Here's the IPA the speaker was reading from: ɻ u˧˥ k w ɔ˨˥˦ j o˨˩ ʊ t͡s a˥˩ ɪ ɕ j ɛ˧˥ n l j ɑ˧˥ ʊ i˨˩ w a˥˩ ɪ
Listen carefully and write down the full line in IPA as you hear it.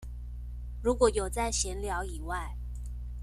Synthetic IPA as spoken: ɻ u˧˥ k w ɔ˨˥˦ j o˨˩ ʊ t͡s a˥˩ ɪ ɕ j ɛ˧˥ n l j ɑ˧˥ ʊ i˨˩ w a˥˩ ɪ

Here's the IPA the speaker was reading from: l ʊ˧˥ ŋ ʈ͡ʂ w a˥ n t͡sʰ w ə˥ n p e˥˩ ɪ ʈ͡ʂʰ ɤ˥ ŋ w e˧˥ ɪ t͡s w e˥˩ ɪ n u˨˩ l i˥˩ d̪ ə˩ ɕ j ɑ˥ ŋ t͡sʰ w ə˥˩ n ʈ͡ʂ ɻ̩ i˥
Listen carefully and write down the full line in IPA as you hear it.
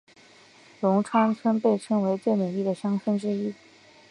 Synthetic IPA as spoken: l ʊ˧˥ ŋ ʈ͡ʂʰ w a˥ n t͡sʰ w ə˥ n p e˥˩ ɪ ʈ͡ʂʰ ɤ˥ ŋ w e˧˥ ɪ t͡s w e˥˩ ɪ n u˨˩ l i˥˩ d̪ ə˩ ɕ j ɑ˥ ŋ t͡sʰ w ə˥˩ n ʈ͡ʂ ɻ̩ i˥

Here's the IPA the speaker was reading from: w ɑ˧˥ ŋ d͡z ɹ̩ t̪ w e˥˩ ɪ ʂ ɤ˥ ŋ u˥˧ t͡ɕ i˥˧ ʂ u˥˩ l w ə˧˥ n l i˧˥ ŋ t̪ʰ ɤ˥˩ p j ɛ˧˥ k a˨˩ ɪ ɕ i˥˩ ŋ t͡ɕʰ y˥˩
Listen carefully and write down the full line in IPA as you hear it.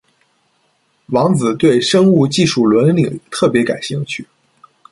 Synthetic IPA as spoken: w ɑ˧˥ ŋ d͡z ɹ̩ t̪ w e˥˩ ɪ ʂ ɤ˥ ŋ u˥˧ t͡ɕ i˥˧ ʂ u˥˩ l w ə˧˥ n l i˨˩ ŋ t̪ʰ ɤ˥˩ p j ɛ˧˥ k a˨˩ ɪ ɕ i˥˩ ŋ t͡ɕʰ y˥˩

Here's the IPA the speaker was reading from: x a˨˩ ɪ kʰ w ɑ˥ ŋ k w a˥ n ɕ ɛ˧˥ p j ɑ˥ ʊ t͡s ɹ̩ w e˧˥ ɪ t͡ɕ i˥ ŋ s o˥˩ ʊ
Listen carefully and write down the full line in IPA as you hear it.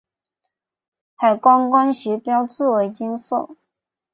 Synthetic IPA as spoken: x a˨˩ ɪ k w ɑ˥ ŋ k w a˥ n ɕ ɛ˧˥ p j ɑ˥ ʊ t͡s ɹ̩ w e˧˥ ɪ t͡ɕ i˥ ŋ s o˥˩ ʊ

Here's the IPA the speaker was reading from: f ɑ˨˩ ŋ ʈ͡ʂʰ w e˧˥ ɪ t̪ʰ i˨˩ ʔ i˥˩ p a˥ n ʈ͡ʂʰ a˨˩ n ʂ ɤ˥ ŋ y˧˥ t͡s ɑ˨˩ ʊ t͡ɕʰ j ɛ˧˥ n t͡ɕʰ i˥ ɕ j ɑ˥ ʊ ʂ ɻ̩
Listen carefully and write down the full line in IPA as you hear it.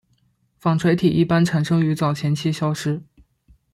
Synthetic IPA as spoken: f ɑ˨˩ ŋ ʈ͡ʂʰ w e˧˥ ɪ t̪ʰ i˨˩ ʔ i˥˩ p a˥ n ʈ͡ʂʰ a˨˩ n ʂ ɤ˥ ŋ y˧˥ t͡s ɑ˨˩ ʊ t͡ɕʰ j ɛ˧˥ n t͡ɕʰ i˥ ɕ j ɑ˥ ʊ ʂ ɻ̩

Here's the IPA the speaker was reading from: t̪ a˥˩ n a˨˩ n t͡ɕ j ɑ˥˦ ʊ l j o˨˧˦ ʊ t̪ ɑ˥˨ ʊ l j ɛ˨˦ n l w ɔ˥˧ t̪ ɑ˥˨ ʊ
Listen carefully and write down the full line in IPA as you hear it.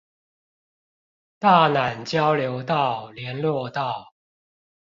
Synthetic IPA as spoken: t̪ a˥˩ n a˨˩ n t͡ɕ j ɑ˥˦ ʊ l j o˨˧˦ ʊ t̪ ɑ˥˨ ʊ l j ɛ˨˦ n l w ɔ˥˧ t̪ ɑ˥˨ ʊ

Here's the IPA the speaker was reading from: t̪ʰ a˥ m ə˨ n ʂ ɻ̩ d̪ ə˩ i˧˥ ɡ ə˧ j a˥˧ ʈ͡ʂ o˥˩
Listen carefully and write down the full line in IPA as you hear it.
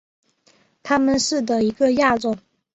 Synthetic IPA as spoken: t̪ʰ a˥ m ə˨ n ʂ ɻ̩ d̪ ə˩ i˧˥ ɡ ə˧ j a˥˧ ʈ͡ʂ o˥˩

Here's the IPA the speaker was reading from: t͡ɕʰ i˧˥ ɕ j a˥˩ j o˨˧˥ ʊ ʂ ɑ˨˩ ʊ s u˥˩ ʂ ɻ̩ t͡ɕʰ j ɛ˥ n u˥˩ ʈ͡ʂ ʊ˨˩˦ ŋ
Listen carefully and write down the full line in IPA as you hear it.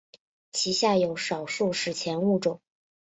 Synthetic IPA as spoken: t͡ɕʰ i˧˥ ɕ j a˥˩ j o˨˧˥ ʊ ʂ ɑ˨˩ ʊ ʂ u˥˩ ʂ ɻ̩ t͡ɕʰ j ɛ˧˥ n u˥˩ ʈ͡ʂ ʊ˨˩˦ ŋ

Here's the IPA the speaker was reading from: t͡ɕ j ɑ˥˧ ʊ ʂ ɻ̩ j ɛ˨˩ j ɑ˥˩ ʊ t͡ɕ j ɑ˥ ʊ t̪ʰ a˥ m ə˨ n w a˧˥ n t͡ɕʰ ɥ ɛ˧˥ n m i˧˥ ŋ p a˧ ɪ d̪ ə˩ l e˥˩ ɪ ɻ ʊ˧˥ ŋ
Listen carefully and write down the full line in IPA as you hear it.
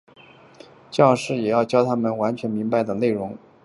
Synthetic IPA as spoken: t͡ɕ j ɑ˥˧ ʊ ʂ ɻ̩ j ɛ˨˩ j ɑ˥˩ ʊ t͡ɕ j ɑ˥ ʊ t̪ʰ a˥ m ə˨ n w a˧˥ n t͡ɕʰ ɥ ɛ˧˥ n m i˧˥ ŋ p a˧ ɪ d̪ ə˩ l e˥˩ ɪ ɻ ʊ˧˥ ŋ

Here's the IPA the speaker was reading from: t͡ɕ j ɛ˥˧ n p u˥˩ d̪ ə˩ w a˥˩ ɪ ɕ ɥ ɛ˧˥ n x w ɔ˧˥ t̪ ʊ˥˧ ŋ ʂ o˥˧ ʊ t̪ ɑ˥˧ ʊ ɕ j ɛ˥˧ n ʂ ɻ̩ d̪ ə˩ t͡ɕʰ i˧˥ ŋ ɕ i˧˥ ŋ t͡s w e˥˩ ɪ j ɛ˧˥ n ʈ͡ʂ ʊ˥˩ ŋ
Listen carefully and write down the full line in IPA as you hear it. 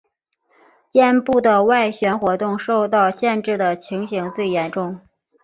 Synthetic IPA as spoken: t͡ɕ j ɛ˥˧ n p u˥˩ d̪ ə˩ w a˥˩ ɪ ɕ ɥ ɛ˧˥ n x w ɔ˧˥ t̪ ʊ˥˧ ŋ ʂ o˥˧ ʊ t̪ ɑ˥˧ ʊ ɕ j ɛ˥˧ n ʈ͡ʂ ɻ̩ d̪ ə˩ t͡ɕʰ i˧˥ ŋ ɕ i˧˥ ŋ t͡s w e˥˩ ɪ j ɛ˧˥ n ʈ͡ʂ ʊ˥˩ ŋ

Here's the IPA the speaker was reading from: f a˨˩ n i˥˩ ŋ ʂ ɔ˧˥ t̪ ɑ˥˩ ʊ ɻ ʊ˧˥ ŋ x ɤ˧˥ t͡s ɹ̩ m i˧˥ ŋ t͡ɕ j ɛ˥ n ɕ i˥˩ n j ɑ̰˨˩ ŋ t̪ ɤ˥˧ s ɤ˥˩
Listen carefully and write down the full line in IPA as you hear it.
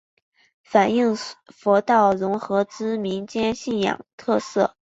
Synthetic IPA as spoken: f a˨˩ n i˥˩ ŋ f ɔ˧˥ t̪ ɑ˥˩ ʊ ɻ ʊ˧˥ ŋ x ɤ˧˥ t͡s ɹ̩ m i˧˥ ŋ t͡ɕ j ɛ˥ n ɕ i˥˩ n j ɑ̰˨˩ ŋ t̪ʰ ɤ˥˧ s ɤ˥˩

